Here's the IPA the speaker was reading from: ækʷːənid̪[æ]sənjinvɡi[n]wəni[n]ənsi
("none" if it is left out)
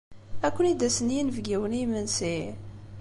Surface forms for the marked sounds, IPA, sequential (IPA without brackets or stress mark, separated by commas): æ, none, m